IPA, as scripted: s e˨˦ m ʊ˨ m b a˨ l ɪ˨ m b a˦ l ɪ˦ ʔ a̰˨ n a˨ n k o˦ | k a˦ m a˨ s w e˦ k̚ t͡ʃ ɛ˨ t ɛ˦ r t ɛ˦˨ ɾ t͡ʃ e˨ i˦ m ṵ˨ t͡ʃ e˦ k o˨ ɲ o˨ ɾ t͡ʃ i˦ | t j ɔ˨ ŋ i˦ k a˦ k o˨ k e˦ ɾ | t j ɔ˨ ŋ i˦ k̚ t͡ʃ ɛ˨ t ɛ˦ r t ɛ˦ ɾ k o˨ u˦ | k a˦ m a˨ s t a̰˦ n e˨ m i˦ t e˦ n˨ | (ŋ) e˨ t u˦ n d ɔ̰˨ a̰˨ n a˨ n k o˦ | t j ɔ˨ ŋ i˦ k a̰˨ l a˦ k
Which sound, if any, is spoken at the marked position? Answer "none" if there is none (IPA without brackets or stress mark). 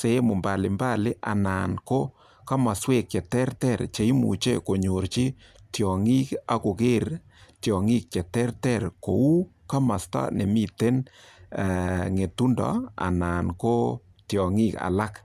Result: ŋ